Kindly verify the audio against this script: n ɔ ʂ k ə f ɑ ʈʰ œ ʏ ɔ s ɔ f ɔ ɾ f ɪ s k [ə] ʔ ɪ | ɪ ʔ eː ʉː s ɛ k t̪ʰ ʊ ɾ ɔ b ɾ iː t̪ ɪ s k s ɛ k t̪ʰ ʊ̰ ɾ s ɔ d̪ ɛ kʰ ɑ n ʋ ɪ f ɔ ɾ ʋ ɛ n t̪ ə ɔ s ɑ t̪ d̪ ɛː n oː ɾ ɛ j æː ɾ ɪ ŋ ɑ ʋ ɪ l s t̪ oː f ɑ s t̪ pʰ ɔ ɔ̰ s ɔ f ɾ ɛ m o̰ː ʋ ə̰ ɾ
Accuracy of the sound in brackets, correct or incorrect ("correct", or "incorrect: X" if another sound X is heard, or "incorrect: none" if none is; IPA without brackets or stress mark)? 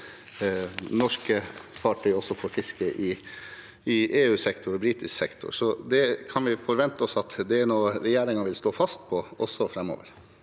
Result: correct